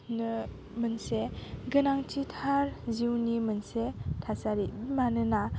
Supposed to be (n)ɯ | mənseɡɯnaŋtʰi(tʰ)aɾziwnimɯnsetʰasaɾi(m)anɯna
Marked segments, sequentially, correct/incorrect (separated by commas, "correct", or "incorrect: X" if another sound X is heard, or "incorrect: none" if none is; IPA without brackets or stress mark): correct, correct, correct